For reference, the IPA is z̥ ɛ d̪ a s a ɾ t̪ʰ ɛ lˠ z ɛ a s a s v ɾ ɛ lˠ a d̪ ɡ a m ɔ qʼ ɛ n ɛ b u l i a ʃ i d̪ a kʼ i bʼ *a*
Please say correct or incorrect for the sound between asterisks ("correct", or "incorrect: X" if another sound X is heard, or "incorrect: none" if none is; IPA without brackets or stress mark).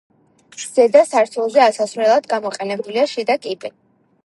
incorrect: ɛ